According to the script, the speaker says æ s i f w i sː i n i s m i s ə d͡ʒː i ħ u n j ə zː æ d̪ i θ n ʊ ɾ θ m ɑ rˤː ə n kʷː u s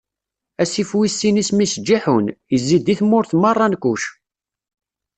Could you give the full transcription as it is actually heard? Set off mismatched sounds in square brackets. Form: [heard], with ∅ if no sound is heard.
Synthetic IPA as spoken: æ s i f w i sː i n i s m i s ə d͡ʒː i ħ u n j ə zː [i] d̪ i θ [m] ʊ ɾ θ m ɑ rˤː [ɑ] n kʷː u [ʃ]